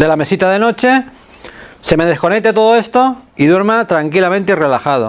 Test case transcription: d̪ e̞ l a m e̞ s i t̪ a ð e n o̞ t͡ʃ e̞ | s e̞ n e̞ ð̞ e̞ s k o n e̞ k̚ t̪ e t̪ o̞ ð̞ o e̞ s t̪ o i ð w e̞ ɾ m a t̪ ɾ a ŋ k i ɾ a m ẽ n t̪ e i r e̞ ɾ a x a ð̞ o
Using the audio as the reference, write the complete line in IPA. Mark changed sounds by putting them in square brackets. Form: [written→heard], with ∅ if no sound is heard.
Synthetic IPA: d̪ e̞ l a m e̞ s i t̪ a ð e n o̞ t͡ʃ e̞ | s e̞ [n→m] e̞ ð̞ e̞ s k o n e̞ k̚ t̪ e t̪ o̞ ð̞ o e̞ s t̪ o i ð w e̞ ɾ m a t̪ ɾ a ŋ k i [ɾ→l] a m ẽ n t̪ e i r e̞ [ɾ→l] a x a ð̞ o